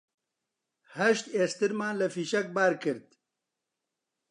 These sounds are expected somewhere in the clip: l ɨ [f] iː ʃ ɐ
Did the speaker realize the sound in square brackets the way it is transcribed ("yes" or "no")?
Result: yes